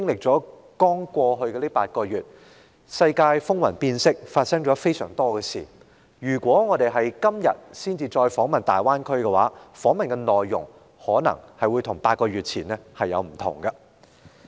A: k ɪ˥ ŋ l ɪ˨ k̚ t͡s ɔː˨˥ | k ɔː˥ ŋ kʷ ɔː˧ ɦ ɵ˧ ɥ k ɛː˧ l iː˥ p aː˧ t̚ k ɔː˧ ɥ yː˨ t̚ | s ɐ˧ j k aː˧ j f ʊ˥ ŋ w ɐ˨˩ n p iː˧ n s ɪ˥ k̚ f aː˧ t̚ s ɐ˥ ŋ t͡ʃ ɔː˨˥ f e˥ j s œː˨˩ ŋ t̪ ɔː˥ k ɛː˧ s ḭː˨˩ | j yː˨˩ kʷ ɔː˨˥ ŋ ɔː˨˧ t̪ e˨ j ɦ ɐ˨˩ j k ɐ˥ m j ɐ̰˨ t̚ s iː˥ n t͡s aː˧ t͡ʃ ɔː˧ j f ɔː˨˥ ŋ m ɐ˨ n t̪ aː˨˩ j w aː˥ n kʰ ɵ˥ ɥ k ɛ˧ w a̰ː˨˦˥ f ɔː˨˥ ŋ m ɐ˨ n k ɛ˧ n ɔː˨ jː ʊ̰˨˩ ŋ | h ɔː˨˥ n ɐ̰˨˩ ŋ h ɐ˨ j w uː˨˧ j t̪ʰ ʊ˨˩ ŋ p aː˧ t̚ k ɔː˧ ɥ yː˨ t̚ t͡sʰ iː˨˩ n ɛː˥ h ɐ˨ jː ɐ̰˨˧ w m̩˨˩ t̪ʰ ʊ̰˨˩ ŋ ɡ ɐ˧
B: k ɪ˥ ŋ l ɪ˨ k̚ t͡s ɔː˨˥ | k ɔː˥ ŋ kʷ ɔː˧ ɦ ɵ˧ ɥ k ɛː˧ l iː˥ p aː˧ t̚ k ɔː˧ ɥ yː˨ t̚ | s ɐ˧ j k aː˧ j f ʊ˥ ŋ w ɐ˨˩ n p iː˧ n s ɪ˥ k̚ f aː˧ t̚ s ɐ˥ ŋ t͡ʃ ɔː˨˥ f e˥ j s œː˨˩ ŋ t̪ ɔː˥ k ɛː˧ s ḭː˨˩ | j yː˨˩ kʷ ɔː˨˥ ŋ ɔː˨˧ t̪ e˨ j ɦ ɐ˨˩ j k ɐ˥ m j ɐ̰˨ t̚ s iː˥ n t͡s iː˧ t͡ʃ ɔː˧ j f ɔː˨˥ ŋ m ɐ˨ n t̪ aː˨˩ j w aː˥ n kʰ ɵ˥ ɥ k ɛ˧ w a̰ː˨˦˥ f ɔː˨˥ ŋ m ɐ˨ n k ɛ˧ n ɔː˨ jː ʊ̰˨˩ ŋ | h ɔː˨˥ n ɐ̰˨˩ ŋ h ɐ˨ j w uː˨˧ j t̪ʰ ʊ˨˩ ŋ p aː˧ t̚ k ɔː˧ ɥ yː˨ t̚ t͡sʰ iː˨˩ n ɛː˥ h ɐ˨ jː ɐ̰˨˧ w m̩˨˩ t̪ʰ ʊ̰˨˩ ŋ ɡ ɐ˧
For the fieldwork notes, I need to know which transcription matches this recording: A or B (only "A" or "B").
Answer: B